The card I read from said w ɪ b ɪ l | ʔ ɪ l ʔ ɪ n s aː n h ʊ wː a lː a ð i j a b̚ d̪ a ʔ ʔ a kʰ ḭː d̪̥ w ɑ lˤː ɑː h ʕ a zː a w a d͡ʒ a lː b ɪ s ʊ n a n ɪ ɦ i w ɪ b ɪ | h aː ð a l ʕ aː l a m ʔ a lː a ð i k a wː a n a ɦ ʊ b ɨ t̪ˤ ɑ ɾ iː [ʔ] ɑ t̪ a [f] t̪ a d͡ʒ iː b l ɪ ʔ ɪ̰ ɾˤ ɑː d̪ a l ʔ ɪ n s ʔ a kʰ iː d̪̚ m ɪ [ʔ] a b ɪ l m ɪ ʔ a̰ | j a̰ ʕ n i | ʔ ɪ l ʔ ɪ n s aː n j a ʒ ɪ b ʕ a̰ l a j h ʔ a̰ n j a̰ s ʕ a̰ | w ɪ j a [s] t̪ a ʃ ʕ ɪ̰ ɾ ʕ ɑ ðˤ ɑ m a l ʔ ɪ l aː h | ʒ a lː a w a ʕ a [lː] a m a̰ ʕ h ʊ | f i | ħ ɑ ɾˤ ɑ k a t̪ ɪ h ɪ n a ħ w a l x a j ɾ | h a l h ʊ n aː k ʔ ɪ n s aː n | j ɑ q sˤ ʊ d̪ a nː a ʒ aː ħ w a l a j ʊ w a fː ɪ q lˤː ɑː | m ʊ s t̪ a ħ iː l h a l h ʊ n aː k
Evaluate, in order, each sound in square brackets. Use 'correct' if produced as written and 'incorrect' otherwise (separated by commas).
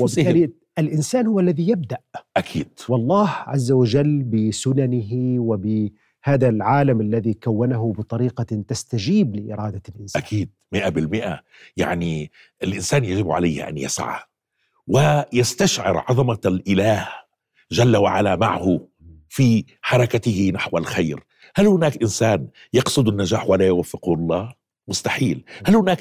incorrect, incorrect, correct, correct, incorrect